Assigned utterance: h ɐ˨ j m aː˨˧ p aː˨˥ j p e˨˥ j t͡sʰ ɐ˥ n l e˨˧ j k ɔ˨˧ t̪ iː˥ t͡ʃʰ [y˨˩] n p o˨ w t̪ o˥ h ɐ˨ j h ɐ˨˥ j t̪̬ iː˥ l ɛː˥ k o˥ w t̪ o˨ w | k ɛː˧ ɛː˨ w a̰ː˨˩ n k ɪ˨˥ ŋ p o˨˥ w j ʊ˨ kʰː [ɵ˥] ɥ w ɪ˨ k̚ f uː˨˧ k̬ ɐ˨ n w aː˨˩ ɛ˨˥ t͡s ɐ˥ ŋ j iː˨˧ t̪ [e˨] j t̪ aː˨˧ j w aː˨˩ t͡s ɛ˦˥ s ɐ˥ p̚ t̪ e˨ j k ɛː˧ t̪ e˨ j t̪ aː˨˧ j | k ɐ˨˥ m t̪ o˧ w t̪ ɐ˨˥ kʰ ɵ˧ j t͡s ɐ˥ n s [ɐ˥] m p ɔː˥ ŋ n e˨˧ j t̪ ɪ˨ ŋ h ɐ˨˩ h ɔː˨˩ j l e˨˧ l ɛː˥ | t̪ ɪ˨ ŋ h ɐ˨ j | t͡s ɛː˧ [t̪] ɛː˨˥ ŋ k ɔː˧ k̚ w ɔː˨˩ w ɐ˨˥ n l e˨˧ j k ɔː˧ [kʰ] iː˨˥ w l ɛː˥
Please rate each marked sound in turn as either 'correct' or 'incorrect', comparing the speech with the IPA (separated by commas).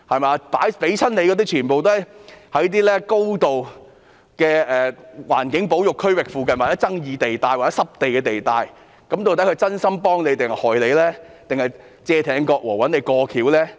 incorrect, correct, correct, correct, incorrect, correct